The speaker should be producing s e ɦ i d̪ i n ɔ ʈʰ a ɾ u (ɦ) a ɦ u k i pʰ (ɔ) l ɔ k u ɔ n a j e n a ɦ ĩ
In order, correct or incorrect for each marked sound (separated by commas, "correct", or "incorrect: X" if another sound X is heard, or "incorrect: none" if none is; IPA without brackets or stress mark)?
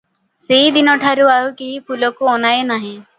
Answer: incorrect: none, incorrect: u